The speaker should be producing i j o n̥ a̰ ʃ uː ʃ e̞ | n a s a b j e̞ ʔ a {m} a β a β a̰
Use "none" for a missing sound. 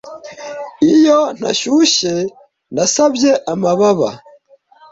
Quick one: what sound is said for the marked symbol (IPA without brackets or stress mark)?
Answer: m